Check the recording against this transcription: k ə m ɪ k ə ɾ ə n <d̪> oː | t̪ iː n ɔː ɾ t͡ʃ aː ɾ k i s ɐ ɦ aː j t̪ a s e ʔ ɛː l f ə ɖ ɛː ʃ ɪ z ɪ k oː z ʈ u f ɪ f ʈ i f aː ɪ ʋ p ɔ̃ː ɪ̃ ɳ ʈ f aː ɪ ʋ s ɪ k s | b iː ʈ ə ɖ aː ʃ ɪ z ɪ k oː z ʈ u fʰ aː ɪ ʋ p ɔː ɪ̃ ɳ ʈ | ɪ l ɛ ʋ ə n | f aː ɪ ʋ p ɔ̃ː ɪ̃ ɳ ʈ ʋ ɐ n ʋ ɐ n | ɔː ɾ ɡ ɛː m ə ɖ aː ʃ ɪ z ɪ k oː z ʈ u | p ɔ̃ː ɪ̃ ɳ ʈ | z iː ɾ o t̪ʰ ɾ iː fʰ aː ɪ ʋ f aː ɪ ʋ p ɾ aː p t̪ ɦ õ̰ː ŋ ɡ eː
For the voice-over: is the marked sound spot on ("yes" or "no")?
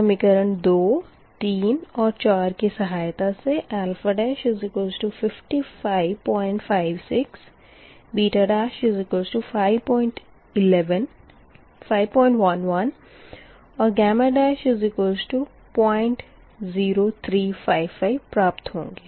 yes